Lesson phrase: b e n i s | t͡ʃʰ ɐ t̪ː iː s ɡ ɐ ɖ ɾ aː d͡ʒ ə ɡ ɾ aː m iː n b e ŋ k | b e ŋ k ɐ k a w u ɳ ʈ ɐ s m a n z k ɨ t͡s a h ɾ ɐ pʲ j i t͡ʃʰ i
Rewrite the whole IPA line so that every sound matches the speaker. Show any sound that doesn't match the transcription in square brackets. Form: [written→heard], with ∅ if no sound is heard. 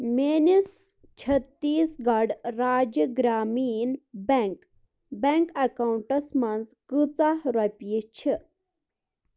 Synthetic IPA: [b→m] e n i s | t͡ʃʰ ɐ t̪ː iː s ɡ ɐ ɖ ɾ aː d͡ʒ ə ɡ ɾ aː m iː n b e ŋ k | b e ŋ k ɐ k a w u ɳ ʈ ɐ s m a n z k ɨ t͡s a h ɾ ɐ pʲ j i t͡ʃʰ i